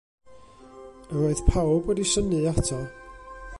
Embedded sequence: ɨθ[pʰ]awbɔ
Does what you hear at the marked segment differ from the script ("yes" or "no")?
no